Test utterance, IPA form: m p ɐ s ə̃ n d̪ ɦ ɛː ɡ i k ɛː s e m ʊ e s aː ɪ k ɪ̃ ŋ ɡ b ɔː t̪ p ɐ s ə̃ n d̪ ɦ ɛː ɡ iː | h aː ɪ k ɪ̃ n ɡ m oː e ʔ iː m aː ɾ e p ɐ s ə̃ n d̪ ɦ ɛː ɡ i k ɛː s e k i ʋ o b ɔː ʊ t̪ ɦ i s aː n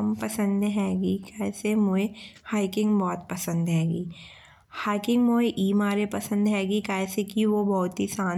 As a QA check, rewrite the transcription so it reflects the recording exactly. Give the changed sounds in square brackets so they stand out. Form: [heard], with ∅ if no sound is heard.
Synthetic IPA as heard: m p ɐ s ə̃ n d̪ ɦ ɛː ɡ i k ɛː s e m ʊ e [h] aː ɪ k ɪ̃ ŋ ɡ b ɔː t̪ p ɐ s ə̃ n d̪ ɦ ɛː ɡ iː | h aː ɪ k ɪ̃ [ŋ] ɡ m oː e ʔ iː m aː ɾ e p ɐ s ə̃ n d̪ ɦ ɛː ɡ i k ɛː s e k i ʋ o b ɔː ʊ t̪ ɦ i s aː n